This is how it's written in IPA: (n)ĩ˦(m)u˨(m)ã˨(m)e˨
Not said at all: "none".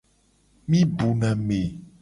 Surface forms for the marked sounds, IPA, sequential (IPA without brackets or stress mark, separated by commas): m, b, n, m